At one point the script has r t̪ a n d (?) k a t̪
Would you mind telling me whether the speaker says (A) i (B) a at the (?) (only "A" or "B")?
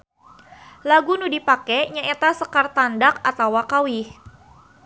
B